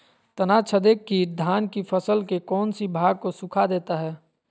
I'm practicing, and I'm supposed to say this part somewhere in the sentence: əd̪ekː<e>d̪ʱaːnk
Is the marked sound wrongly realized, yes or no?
yes